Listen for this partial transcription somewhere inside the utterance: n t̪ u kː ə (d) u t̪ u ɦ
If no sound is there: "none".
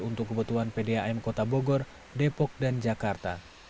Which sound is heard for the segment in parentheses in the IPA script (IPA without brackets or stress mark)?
b